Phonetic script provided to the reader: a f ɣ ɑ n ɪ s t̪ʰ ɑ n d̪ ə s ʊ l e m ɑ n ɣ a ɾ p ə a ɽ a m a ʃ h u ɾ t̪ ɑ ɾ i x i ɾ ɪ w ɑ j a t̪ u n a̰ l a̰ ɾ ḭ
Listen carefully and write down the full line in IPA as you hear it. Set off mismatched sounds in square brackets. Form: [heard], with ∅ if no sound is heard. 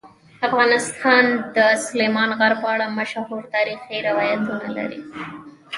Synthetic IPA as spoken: a f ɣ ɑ n ɪ s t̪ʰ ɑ n d̪ ə s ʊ l e m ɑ n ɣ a ɾ p ə a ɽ a m a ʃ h u ɾ t̪ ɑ ɾ i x i ɾ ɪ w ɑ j a t̪ u n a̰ l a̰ ɾ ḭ